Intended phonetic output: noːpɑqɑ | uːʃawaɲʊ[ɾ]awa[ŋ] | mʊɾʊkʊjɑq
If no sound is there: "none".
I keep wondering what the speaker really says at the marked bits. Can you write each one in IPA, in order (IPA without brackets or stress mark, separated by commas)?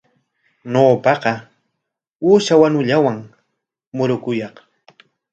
ʎ, ŋ